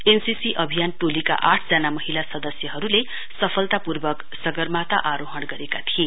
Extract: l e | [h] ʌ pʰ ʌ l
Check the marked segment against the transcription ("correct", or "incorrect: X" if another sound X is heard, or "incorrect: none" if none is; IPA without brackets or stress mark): incorrect: s